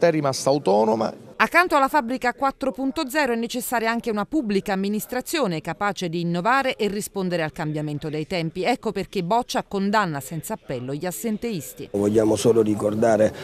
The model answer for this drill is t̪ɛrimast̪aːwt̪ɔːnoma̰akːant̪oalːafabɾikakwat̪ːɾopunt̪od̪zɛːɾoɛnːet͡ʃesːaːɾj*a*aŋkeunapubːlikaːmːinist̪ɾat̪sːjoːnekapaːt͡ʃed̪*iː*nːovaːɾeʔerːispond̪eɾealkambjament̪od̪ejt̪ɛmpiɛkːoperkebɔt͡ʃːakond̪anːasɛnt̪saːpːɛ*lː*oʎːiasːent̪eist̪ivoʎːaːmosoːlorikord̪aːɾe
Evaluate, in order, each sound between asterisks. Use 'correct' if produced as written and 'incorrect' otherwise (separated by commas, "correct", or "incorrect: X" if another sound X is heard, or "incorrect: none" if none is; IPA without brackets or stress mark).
correct, correct, correct